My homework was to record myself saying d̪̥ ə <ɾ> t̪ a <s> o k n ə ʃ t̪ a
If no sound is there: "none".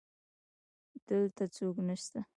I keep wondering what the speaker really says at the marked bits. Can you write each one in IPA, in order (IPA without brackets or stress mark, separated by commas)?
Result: l, t͡s